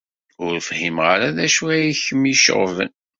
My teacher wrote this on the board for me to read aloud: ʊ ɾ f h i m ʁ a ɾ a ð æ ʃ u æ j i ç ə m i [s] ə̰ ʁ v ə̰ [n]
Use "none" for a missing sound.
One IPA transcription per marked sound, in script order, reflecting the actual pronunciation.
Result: ʃ, n

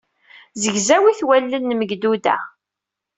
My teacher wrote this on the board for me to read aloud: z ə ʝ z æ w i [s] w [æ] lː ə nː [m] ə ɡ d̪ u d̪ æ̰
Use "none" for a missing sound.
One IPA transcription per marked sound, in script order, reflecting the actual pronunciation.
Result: θ, æ, m

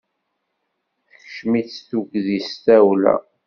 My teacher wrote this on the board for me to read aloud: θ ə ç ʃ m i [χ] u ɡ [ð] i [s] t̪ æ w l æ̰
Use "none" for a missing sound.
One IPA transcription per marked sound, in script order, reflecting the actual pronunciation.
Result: θ, ð, s

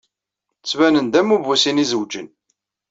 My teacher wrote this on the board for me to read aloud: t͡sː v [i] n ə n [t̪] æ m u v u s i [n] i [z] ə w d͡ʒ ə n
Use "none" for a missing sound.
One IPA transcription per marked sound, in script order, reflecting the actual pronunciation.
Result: æ, d̪, n, z

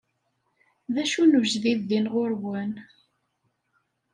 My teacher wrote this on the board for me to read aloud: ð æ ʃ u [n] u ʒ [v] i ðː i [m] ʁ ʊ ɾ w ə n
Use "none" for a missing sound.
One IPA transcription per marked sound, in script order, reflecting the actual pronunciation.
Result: n, ð, n

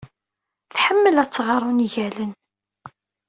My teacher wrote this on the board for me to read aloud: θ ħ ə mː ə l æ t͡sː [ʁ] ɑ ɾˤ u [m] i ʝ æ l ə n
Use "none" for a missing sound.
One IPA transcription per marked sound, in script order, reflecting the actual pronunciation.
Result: ʁ, n

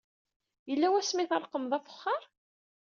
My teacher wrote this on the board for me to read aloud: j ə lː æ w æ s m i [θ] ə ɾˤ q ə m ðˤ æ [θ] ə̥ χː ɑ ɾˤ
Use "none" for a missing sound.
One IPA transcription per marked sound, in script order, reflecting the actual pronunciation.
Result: θ, f

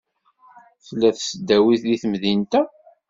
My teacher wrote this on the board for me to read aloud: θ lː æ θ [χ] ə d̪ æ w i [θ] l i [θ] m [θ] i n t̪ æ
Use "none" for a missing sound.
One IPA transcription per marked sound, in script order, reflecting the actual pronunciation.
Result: s, θ, θ, ð

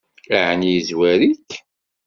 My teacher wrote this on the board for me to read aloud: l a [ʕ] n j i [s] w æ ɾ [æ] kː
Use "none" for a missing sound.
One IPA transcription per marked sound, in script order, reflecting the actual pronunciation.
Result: ʕ, z, i

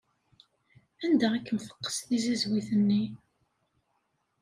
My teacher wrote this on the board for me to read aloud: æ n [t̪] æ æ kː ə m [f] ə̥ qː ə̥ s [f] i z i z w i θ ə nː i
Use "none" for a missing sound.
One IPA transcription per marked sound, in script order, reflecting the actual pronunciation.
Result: d̪, f, θ

